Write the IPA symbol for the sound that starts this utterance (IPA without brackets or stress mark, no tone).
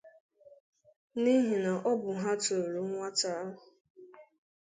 n